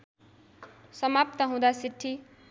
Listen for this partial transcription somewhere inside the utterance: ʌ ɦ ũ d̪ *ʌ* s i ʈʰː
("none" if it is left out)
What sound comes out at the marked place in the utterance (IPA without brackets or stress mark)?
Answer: a